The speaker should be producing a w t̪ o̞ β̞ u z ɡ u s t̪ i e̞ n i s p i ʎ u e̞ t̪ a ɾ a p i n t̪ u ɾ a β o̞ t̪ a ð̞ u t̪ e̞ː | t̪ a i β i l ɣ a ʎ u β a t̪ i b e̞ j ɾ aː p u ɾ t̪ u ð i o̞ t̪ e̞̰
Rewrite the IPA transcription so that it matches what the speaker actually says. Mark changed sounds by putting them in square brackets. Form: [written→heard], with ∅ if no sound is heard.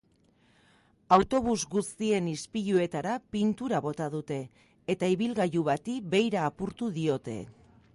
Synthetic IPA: a w t̪ o̞ β̞ u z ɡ u s t̪ i e̞ n i s p i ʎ u e̞ t̪ a ɾ a p i n t̪ u ɾ a β o̞ t̪ a ð̞ u t̪ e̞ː | t̪ a i β i l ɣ a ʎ u β a t̪ i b e̞ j ɾ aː p u ɾ t̪ u ð i o̞ t̪ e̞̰

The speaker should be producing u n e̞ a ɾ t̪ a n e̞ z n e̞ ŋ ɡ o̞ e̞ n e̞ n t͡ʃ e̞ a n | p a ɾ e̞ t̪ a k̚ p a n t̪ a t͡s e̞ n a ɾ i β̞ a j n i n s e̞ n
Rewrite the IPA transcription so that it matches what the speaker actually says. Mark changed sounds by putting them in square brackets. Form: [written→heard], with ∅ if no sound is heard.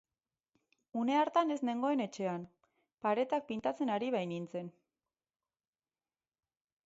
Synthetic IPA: u n e̞ a ɾ t̪ a n e̞ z n e̞ ŋ ɡ o̞ e̞ n e̞ [n→∅] t͡ʃ e̞ a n | p a ɾ e̞ t̪ a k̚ p [a→i] n t̪ a t͡s e̞ n a ɾ i β̞ a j n i n [s→t͡s] e̞ n

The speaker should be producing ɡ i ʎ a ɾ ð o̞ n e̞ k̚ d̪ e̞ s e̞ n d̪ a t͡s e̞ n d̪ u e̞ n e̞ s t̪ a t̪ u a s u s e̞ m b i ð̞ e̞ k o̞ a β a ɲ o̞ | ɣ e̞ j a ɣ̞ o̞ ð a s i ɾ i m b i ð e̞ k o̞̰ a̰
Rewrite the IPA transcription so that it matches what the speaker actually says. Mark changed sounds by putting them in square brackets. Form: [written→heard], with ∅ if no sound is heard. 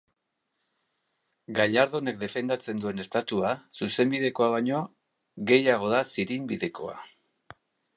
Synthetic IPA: ɡ [i→a] ʎ a ɾ ð o̞ n e̞ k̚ d̪ e̞ [s→f] e̞ n d̪ a t͡s e̞ n d̪ u e̞ n e̞ s t̪ a t̪ u a s u s e̞ m b i ð̞ e̞ k o̞ a β a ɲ o̞ | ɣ e̞ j a ɣ̞ o̞ ð a s i ɾ i m b i ð e̞ k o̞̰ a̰

